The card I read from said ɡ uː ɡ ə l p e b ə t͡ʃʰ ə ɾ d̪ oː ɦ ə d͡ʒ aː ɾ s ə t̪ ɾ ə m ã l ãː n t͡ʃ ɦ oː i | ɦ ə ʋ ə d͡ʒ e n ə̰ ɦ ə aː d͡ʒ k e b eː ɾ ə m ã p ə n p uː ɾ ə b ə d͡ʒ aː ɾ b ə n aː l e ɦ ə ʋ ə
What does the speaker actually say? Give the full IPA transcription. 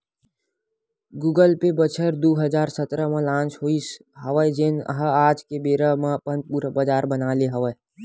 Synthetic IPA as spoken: ɡ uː ɡ ə l p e b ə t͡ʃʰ ə ɾ d̪ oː ɦ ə d͡ʒ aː ɾ s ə t̪ ɾ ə m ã l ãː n t͡ʃ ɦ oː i | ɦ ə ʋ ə d͡ʒ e n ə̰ ɦ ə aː d͡ʒ k e b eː ɾ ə m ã p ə n p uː ɾ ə b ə d͡ʒ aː ɾ b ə n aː l e ɦ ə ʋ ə